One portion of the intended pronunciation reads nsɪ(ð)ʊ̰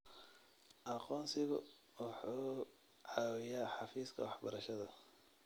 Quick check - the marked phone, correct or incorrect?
incorrect